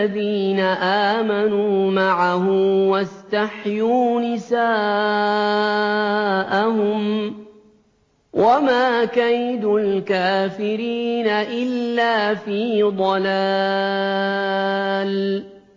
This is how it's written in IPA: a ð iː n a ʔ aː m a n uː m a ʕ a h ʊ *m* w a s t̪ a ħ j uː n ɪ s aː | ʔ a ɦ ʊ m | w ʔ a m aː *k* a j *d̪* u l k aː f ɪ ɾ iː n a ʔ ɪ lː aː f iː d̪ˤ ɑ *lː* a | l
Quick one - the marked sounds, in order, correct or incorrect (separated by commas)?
correct, correct, correct, incorrect